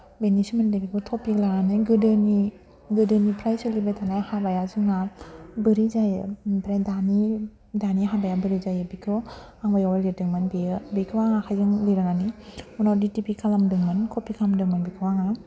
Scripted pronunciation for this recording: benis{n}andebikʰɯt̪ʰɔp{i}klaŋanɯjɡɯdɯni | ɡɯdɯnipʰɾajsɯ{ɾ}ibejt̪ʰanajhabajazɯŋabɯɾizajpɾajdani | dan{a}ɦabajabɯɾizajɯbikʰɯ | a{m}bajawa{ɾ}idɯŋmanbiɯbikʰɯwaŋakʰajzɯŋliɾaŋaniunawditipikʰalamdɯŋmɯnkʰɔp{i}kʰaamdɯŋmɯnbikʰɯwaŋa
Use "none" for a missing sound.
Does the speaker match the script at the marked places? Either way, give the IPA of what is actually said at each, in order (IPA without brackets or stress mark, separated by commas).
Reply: m, i, l, i, ŋ, l, i